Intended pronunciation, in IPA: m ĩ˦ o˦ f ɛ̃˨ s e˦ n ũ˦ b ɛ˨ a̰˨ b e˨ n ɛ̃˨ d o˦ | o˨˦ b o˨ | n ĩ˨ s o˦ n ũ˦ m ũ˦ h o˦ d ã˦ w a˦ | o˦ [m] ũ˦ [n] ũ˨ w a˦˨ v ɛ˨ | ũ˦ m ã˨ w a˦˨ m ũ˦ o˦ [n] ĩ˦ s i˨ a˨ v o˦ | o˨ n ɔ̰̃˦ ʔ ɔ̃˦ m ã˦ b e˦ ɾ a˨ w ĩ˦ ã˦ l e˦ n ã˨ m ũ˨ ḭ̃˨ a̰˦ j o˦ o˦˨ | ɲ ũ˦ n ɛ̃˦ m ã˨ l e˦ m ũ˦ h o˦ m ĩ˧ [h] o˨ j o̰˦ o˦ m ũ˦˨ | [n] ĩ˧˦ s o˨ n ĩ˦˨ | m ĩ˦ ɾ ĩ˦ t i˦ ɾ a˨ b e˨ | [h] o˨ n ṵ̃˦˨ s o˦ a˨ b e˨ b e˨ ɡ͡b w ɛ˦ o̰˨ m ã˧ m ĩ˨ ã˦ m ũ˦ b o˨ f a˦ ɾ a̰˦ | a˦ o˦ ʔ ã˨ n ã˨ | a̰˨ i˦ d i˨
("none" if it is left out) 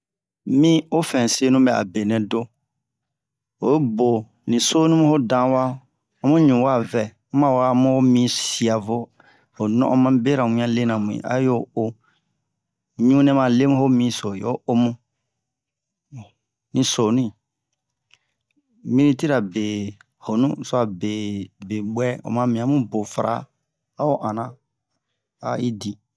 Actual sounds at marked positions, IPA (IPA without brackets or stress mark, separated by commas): m, ɲ, m, s, n, h